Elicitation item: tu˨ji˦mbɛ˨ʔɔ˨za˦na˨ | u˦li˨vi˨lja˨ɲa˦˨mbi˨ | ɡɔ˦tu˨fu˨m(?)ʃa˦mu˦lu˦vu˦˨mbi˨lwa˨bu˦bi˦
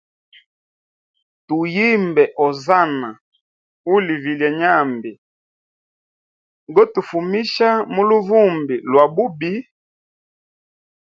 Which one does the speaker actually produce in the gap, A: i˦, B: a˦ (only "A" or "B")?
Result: A